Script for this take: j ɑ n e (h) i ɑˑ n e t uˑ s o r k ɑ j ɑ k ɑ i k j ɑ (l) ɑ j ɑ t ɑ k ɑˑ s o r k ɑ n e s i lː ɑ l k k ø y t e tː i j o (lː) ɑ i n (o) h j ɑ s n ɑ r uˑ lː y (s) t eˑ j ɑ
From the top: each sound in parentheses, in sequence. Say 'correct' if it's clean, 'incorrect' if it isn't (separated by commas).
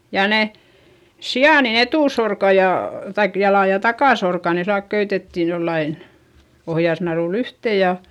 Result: incorrect, correct, correct, correct, incorrect